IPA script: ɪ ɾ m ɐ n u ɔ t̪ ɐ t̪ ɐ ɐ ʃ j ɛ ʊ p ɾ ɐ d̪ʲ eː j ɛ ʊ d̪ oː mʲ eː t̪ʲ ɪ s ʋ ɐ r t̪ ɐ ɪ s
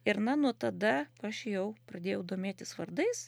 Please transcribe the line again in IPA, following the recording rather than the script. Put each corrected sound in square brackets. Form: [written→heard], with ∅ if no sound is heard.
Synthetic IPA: ɪ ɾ [m→n] ɐ n u ɔ t̪ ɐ [t̪→d̪] ɐ ɐ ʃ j ɛ ʊ p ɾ ɐ d̪ʲ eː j ɛ ʊ d̪ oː mʲ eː t̪ʲ ɪ s ʋ ɐ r [t̪→d̪] ɐ ɪ s

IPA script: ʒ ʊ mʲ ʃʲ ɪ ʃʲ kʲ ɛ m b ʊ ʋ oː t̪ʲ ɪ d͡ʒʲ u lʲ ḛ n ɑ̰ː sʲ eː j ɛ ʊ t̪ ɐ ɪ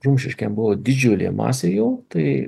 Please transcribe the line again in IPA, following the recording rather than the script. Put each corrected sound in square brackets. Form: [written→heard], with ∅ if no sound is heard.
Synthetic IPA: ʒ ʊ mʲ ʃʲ ɪ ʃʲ kʲ ɛ m b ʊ ʋ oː [t̪ʲ→d̪ʲ] ɪ d͡ʒʲ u lʲ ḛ [n→m] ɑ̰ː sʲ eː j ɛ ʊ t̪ ɐ ɪ

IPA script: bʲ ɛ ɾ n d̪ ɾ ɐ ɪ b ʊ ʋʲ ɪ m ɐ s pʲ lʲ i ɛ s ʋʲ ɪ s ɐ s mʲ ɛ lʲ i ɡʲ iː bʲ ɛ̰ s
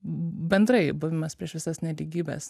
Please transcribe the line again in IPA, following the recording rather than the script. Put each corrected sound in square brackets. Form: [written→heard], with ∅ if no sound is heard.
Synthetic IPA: bʲ ɛ [ɾ→∅] n d̪ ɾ ɐ ɪ b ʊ ʋʲ ɪ m ɐ s pʲ [lʲ→ɾʲ] i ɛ [s→ʃ] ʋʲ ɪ s ɐ s [mʲ→nʲ] ɛ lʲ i ɡʲ iː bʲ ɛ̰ s

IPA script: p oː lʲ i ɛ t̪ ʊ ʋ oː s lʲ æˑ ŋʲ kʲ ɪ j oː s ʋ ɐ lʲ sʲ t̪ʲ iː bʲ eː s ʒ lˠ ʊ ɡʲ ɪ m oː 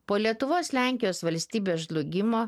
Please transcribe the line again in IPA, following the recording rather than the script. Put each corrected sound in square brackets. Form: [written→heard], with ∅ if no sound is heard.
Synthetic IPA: p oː lʲ i ɛ t̪ ʊ ʋ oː s lʲ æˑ ŋʲ kʲ ɪ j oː s ʋ ɐ lʲ sʲ t̪ʲ iː bʲ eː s ʒ lˠ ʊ ɡʲ ɪ m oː

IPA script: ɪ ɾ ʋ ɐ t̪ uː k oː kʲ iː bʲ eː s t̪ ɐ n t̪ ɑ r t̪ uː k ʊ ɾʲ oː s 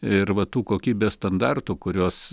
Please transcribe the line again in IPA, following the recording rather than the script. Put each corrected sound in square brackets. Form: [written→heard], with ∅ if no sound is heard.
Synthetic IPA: ɪ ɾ ʋ ɐ t̪ uː k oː kʲ iː bʲ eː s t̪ ɐ n [t̪→d̪] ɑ r t̪ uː k ʊ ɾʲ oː s

